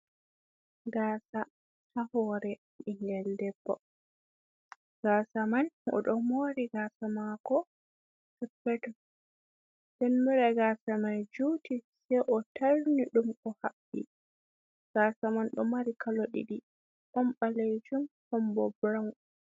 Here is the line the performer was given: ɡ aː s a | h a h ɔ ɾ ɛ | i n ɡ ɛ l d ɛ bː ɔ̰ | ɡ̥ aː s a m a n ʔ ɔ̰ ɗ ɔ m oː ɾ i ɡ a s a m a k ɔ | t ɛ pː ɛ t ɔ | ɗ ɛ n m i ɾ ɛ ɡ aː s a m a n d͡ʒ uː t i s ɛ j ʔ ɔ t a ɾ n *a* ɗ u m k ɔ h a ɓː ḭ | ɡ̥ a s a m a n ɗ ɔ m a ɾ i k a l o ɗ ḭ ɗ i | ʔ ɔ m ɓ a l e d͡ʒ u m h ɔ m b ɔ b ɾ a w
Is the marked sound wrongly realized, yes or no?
yes